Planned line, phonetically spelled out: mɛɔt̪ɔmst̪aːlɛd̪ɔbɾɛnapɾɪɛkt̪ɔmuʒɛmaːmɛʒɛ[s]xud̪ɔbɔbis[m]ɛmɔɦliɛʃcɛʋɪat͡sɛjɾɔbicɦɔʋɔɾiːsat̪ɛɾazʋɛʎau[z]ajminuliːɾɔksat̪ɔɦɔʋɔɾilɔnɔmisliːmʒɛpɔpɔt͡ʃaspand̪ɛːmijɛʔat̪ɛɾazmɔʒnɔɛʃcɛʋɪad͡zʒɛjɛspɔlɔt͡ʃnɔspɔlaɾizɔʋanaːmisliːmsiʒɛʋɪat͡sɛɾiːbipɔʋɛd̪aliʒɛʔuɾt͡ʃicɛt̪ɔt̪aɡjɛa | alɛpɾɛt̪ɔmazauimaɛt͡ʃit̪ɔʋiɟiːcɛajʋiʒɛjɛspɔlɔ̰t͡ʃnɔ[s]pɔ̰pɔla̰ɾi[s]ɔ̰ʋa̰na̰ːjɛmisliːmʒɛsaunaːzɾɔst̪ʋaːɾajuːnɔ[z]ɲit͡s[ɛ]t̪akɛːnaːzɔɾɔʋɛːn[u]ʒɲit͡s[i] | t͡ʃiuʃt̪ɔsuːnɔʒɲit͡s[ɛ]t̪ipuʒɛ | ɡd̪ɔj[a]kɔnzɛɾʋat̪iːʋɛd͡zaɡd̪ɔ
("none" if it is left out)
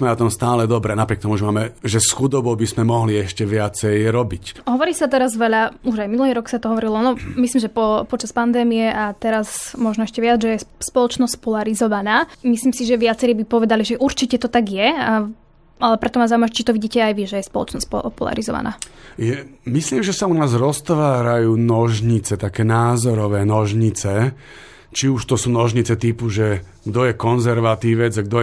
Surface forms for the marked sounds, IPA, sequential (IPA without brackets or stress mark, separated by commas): s, m, ʒ, s, z, ʒ, ɛ, ɔ, ɛ, ɛ, ɛ